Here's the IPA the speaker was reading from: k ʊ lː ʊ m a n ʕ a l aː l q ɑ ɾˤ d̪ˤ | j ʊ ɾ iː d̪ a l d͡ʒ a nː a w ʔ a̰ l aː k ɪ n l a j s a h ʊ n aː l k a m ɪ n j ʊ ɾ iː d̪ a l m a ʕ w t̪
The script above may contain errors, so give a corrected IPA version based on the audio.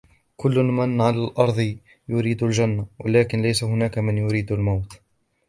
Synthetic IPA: k ʊ lː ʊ m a n ʕ a l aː l ʔ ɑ ɾˤ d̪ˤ | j ʊ ɾ iː d̪ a l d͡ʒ a nː a w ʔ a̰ l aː k ɪ n l a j s a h ʊ n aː k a m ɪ n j ʊ ɾ iː d̪ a l m a w t̪

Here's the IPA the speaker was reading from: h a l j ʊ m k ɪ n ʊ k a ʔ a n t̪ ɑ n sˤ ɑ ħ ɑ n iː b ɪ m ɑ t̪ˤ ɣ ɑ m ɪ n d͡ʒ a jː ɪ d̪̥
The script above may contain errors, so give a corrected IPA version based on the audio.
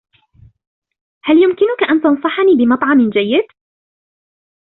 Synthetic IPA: h a l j ʊ m k ɪ n ʊ k a ʔ a n t̪ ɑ n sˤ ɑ ħ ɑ n iː b ɪ m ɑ t̪ˤ ʕ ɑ m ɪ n d͡ʒ a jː ɪ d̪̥

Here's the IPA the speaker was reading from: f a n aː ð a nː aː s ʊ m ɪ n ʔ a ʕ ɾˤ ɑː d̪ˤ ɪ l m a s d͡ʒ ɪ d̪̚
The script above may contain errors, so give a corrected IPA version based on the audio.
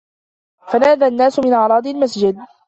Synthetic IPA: f a n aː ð a nː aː s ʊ m ɪ n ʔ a ʕ ɾˤ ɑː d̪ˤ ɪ l m a s d͡ʒ ɪ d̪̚

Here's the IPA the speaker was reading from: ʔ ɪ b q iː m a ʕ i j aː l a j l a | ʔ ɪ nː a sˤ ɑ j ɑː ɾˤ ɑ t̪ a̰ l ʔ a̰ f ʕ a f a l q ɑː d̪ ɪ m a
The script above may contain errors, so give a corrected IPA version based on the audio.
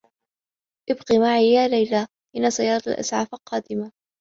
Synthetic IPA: ʔ ɪ b q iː m a ʕ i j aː l a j l a | ʔ ɪ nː a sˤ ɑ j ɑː ɾˤ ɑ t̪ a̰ l ʔ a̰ s ʕ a f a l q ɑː d̪ ɪ m a

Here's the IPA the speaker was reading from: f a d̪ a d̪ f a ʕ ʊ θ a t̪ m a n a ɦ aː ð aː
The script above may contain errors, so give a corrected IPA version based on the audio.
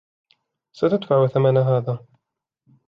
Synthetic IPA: s a t̪ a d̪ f a ʕ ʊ θ a m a n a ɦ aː ð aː

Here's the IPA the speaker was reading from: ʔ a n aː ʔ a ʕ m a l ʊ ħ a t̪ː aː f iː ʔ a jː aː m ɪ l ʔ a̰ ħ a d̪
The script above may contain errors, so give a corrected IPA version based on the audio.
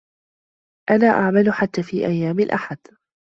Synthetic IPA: ʔ a n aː ʔ a ʕ m a l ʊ ħ a t̪ː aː f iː ʔ a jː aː m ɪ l ʔ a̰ ħ a d̪

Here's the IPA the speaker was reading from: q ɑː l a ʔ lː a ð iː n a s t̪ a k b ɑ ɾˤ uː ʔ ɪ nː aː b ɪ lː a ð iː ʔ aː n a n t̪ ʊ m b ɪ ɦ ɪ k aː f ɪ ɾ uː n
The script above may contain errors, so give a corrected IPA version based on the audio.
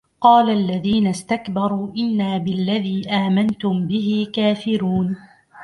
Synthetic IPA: q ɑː l a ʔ lː a ð iː n a s t̪ a k b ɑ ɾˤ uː ʔ ɪ nː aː b ɪ lː a ð iː ʔ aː m a n t̪ ʊ m b ɪ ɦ ɪ k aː f ɪ ɾ uː n

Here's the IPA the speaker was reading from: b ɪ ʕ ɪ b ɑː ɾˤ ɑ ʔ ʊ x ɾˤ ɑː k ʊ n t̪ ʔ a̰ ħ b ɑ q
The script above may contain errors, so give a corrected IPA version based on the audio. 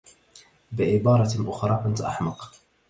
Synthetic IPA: b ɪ ʕ ɪ b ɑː ɾˤ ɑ ʔ ʊ x ɾˤ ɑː k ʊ n t̪ ʔ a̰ ħ m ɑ q

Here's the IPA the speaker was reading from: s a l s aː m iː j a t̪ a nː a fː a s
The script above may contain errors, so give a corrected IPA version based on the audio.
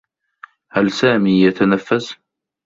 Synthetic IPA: h a l s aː m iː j a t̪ a n a fː a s

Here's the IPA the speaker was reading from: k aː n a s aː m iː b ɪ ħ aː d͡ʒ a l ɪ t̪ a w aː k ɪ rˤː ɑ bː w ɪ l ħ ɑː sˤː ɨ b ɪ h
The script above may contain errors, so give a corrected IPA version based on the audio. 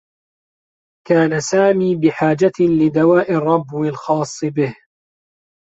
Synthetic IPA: k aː n a s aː m iː b ɪ ħ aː d͡ʒ a l ɪ d̪ a w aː ʔ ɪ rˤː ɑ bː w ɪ l x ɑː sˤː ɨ b ɪ h

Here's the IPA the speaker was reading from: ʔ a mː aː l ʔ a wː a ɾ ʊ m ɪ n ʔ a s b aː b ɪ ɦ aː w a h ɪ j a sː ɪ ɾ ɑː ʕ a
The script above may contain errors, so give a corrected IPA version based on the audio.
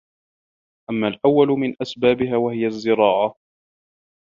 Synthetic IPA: ʔ a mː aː l ʔ a wː a l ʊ m ɪ n ʔ a s b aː b ɪ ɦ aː w a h ɪ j a zː ɪ ɾ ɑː ʕ a

